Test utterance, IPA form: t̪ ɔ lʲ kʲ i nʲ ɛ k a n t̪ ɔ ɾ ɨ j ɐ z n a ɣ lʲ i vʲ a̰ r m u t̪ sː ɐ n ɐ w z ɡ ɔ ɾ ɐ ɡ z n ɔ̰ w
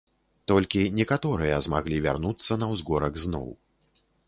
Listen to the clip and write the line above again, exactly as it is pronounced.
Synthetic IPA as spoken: t̪ ɔ lʲ kʲ i nʲ ɛ k a t̪ ɔ ɾ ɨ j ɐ z m a ɣ lʲ i vʲ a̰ r n u t̪ sː ɐ n ɐ w z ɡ ɔ ɾ ɐ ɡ z n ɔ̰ w

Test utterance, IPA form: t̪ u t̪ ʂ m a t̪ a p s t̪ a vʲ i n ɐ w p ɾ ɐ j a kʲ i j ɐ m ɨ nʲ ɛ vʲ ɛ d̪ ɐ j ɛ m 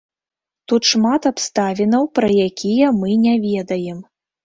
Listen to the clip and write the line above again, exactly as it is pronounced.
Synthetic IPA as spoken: t̪ u t̪ ʂ m a t̪ a p s t̪ a vʲ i n ɐ w p ɾ ɐ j a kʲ i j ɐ m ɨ nʲ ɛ vʲ ɛ d̪ ɐ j ɛ m

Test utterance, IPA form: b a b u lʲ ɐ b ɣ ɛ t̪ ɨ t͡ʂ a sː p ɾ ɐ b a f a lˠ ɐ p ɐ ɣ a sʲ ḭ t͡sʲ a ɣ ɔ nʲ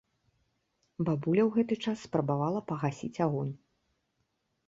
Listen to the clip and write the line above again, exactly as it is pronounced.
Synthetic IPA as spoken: b a b u lʲ ɐ w ɣ ɛ t̪ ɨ t͡ʂ a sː p ɾ ɐ b a v a lˠ ɐ p ɐ ɣ a sʲ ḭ t͡sʲ a ɣ ɔ nʲ

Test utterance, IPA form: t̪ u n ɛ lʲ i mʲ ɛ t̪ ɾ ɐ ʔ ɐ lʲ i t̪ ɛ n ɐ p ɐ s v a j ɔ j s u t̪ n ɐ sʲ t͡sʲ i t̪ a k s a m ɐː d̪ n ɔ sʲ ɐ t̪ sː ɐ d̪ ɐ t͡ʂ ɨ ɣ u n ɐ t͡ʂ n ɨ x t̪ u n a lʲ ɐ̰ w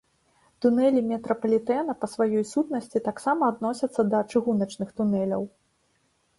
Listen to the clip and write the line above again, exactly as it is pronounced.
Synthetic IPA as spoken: t̪ u n ɛ lʲ i mʲ ɛ t̪ ɾ ɐ p ɐ lʲ i t̪ ɛ n ɐ p ɐ s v a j ɔ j s u t̪ n ɐ sʲ t͡sʲ i t̪ a k s a m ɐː d̪ n ɔ sʲ ɐ t̪ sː ɐ d̪ ɐ t͡ʂ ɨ ɣ u n ɐ t͡ʂ n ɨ x t̪ u n ɛ lʲ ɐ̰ w

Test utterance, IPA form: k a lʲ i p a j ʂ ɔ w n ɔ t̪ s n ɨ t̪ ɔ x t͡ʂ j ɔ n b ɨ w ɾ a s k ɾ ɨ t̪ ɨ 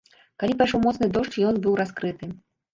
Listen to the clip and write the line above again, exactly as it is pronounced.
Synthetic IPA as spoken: k a lʲ i p a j ʂ ɔ w m ɔ t̪ s n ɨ d̪ ɔ ʂ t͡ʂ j ɔ n b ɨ w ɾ a s k ɾ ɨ t̪ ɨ

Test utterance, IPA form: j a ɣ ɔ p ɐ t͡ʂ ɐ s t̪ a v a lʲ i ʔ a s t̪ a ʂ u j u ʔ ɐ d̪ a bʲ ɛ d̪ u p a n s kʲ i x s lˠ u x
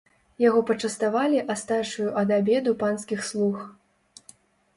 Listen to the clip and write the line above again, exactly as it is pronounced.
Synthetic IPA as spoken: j a ɣ ɔ p ɐ t͡ʂ ɐ s t̪ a v a lʲ i ʔ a s t̪ a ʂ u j u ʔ ɐ d̪ a bʲ ɛ d̪ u p a n s kʲ i x s lˠ u x

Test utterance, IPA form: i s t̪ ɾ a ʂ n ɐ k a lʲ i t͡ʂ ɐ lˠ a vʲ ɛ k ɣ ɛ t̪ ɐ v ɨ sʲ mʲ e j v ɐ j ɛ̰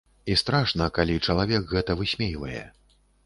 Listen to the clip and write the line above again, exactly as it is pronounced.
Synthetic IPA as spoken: i s t̪ ɾ a ʂ n ɐ k a lʲ i t͡ʂ ɐ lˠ a vʲ ɛ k ɣ ɛ t̪ ɐ v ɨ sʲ mʲ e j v ɐ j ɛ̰

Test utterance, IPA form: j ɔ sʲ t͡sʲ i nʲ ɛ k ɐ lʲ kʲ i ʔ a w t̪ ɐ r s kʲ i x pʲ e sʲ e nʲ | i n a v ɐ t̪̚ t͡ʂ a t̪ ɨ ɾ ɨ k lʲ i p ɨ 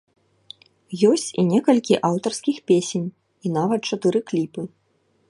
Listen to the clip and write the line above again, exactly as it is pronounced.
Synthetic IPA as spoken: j ɔ sʲ t͡sʲ i nʲ ɛ k ɐ lʲ kʲ i ʔ a w t̪ ɐ r s kʲ i x pʲ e sʲ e nʲ | i n a v ɐ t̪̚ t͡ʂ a t̪ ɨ ɾ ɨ k lʲ i p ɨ

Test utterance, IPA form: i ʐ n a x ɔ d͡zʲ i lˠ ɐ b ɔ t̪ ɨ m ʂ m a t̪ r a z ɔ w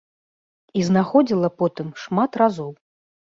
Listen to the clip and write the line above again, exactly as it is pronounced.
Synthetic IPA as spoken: i z n a x ɔ d͡zʲ i lˠ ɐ p ɔ t̪ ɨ m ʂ m a t̪ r a z ɔ w

